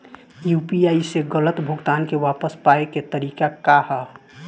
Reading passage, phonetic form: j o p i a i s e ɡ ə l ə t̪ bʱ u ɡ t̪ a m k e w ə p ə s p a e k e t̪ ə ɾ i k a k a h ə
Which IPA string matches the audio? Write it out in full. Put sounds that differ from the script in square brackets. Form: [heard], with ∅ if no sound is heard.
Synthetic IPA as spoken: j [u] p i a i s e ɡ ə l ə t̪ bʱ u ɡ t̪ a [n] k e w [a] p ə s p a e k e t̪ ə ɾ i k a k a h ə